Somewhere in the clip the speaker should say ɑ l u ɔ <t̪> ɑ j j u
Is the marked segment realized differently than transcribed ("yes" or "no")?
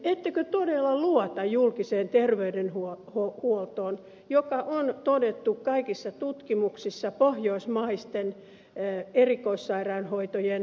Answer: no